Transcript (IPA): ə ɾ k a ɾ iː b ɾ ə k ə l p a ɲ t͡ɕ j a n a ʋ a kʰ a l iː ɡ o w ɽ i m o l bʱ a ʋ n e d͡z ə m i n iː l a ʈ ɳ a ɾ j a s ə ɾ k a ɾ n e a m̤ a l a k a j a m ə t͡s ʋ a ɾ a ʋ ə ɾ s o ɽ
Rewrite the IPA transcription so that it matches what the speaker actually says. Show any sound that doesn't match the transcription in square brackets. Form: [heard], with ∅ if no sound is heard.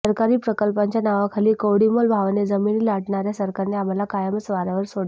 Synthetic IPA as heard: ə ɾ k a ɾ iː [p] ɾ ə k ə l p a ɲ t͡ɕ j a n a ʋ a kʰ a l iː [k] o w ɽ i m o l bʱ a ʋ n e d͡z ə m i n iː l a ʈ ɳ a ɾ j a s ə ɾ k a ɾ n e a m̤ a l a k a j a m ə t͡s ʋ a ɾ a ʋ ə ɾ s o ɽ